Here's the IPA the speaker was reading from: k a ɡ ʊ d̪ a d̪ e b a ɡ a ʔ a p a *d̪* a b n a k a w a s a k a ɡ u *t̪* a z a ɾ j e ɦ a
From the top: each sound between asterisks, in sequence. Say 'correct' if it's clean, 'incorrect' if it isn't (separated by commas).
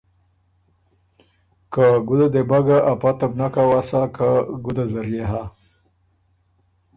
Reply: incorrect, incorrect